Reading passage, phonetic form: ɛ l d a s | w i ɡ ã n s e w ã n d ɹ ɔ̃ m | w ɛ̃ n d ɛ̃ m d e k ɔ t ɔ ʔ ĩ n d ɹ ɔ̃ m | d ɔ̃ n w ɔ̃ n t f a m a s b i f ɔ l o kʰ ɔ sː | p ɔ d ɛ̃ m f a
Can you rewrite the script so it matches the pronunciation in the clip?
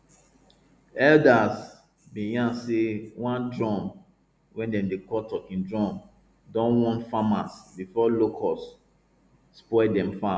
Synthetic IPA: ɛ l d a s | b i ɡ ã n s e w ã n d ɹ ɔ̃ m | w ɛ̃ n d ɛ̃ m d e k ɔ t ɔ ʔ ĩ n d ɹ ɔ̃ m | d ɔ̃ n w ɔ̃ n t f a m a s b i f ɔ l o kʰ ɔ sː | p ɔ d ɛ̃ m f a